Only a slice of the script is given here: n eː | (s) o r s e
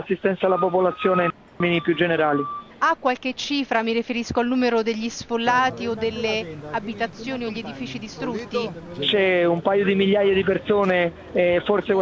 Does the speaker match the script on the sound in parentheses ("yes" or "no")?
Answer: no